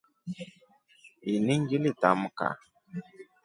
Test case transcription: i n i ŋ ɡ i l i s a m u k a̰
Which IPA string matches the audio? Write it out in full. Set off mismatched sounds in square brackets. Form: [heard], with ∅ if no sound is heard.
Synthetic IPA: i n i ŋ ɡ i l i [t] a m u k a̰

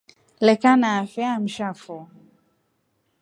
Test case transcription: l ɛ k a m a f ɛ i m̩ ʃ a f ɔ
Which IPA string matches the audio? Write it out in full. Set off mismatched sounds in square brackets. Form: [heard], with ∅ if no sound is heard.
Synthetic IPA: l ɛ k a [n] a f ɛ [a] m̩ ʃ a f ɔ

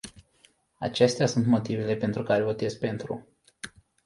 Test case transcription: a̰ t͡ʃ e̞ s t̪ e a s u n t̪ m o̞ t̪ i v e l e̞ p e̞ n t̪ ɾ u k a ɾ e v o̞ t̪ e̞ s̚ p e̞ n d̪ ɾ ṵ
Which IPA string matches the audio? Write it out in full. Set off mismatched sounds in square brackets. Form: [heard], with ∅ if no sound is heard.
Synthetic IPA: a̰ t͡ʃ e̞ s t̪ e a s u n t̪ m o̞ t̪ i v e l e̞ p e̞ n t̪ ɾ u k a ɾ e v o̞ t̪ e̞ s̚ p e̞ n [t̪] ɾ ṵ

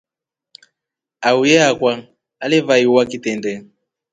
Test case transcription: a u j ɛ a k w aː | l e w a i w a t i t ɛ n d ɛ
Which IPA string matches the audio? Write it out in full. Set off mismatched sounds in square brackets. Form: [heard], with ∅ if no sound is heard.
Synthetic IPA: a u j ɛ a k w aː | l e [v] a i w a [k] i t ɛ n d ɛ

